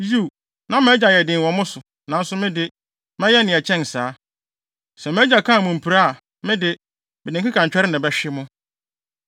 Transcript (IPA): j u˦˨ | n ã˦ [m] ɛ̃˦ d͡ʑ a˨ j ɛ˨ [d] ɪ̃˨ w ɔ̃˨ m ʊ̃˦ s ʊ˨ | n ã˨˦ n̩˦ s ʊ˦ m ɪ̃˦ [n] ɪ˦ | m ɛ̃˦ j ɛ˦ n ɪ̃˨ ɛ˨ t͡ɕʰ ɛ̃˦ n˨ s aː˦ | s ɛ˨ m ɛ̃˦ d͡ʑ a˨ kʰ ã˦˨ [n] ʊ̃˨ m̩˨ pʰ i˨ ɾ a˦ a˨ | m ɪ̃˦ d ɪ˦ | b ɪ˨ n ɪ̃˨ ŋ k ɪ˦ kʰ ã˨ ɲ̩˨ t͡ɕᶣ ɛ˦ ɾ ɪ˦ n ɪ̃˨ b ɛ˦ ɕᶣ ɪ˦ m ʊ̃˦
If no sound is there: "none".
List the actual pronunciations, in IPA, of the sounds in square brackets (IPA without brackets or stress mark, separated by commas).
m, d, d, m